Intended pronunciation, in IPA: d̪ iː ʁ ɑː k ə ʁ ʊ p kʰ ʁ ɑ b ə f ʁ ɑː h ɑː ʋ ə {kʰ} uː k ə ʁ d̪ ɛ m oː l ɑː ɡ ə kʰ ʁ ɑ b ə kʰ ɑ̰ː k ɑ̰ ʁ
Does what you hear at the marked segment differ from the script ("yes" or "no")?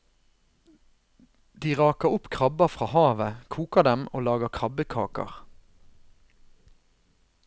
no